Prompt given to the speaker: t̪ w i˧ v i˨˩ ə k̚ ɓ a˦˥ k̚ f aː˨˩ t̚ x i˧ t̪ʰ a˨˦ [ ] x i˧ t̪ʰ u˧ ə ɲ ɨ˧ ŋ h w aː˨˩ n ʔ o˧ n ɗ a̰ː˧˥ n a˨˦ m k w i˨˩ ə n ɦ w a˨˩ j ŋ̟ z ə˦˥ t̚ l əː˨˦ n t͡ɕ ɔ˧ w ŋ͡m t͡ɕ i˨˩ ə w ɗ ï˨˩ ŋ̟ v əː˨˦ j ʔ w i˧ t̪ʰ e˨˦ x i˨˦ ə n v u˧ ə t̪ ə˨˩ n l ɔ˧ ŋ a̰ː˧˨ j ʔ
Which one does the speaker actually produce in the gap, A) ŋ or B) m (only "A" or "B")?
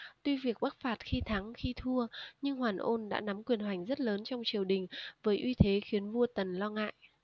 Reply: A